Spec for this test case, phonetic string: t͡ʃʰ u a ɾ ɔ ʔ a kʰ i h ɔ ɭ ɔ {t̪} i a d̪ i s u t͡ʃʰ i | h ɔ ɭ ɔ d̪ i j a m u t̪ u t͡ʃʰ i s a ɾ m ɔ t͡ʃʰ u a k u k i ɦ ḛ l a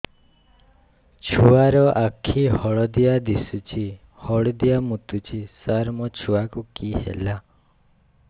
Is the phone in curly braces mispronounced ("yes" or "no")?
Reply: yes